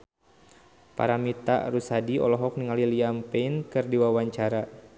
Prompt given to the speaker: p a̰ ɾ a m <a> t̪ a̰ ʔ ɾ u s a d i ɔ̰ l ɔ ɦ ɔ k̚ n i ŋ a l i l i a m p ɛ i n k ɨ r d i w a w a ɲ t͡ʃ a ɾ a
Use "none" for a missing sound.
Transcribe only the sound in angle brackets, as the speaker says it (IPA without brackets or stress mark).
i